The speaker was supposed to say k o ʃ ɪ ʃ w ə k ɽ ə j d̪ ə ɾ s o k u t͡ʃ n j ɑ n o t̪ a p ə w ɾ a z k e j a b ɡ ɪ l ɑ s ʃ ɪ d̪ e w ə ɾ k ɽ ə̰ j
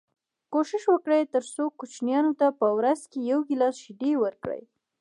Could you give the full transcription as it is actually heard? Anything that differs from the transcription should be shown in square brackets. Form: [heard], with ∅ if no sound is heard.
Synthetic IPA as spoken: k o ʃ ɪ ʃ w ə k ɽ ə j [t̪] ə ɾ s o k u t͡ʃ n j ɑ n o t̪ a p ə w ɾ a z k e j a [w] ɡ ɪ l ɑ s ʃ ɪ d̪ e w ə ɾ k ɽ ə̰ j

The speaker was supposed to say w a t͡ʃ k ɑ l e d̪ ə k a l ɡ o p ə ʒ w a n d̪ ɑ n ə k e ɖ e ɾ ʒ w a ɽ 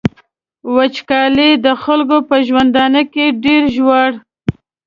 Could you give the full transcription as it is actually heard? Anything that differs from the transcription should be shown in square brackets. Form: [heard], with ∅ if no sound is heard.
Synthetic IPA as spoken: w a t͡ʃ k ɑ l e d̪ ə [x] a l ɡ o p ə ʒ w a n d̪ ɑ n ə k e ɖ e ɾ ʒ w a ɽ

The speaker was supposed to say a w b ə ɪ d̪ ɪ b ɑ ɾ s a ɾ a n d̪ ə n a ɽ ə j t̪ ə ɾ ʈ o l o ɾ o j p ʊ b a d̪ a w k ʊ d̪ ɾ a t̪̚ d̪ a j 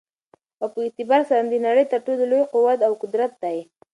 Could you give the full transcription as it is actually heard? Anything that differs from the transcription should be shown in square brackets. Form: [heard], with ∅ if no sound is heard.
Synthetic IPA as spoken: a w [p] ə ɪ [t̪] ɪ b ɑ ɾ s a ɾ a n d̪ ə n a ɽ ə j t̪ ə ɾ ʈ o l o [l] o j [q] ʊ [w] a [t̪] a w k ʊ d̪ ɾ a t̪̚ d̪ a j

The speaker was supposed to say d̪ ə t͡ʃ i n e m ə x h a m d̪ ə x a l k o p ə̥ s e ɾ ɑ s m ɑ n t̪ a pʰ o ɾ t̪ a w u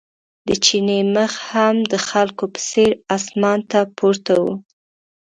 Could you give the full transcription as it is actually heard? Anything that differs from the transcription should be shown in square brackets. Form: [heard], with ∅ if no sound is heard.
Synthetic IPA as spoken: d̪ ə t͡ʃ i n e m ə x h a m d̪ ə x a l k o p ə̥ s e ɾ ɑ s m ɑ n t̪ a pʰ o ɾ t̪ a w u

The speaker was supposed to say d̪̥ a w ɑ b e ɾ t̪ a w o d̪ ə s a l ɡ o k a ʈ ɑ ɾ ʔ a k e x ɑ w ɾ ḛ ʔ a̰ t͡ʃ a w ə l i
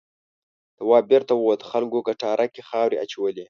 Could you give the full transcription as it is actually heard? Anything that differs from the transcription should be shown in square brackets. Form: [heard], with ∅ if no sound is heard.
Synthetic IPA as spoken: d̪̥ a w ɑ b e ɾ t̪ a w o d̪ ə [x] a l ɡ o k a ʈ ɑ ɾ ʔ a k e x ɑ w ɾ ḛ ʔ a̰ t͡ʃ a w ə l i

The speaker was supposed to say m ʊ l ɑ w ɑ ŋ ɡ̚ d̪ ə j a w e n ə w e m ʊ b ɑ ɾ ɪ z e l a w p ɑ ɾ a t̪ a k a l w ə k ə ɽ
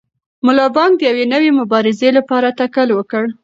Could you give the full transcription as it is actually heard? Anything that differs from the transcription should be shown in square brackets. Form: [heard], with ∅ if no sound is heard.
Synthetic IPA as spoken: m ʊ l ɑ [b] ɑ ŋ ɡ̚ d̪ ə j a w e n ə w e m ʊ b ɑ ɾ ɪ z e l a [∅] p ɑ ɾ a t̪ a k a l w ə k ə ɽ

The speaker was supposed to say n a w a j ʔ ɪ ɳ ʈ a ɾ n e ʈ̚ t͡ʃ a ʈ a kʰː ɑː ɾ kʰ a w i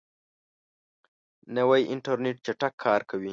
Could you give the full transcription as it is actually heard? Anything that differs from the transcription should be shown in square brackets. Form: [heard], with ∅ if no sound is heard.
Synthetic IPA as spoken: n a w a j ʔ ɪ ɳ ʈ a ɾ n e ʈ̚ t͡ʃ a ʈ a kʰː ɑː ɾ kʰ a w i

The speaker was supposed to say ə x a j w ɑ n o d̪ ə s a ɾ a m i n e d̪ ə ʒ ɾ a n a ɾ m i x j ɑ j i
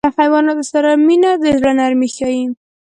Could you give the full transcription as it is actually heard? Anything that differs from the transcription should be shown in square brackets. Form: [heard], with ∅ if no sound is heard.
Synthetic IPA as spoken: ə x a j w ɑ n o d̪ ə s a ɾ a m i n [a] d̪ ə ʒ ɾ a n a ɾ m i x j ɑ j i

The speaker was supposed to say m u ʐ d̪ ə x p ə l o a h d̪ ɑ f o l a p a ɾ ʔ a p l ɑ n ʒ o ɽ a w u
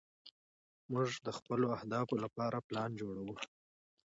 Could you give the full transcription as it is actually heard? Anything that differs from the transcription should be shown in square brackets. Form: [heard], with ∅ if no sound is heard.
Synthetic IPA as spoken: m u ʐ d̪ ə x p ə l o a h d̪ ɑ f o l a p [ɑ] ɾ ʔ a p l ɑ n [d͡ʒ] o ɽ a w u

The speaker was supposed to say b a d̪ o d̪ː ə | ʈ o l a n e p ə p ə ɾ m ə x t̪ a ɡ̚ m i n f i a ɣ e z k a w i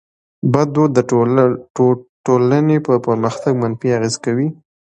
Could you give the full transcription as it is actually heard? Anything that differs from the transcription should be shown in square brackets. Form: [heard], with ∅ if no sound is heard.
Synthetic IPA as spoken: b a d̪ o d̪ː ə | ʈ o l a n e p ə p ə ɾ m ə x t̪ a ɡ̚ m [a] n f i a ɣ e z k a w i

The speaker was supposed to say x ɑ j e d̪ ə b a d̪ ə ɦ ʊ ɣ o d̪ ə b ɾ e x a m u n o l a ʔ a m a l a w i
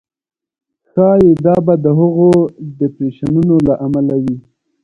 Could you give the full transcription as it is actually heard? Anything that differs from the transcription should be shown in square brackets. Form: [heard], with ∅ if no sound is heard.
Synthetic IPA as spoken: x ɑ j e d̪ [ɑ] b a d̪ ə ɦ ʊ ɣ o d̪ ə [p] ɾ e [ʃ] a [n] u n o l a ʔ a m a l a w i

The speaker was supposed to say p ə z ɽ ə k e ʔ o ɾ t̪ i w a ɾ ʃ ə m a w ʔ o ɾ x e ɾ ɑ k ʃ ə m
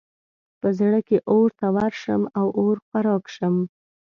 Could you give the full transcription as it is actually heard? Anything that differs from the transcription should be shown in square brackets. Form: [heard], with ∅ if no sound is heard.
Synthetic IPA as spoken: p ə z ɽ ə k e ʔ o ɾ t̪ [a] w a ɾ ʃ ə m a w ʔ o ɾ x [a] ɾ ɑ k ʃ ə m

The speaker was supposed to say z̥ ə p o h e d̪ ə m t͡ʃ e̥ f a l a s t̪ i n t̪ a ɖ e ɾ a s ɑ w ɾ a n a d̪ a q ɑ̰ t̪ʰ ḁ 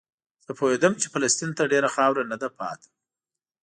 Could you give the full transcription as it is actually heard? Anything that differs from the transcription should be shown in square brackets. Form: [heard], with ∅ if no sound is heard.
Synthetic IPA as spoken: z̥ ə p o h e d̪ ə m t͡ʃ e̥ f a l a s t̪ i n t̪ a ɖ e ɾ a [x] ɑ w ɾ a n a d̪ a [p] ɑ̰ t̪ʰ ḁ

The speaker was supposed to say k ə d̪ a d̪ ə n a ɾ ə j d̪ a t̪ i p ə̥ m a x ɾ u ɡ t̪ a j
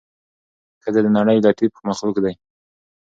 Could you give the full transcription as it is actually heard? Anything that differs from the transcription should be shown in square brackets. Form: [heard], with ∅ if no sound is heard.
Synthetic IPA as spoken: k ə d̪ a d̪ ə n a [ɽ] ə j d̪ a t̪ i p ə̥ m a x [l] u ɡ [d̪] a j

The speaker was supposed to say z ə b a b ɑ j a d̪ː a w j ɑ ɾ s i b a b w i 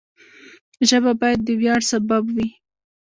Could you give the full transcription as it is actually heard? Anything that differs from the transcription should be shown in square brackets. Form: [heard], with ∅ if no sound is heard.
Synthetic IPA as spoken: [ʒ] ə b a b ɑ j a d̪ː [ə] w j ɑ [ɽ] s [a] b a b w i

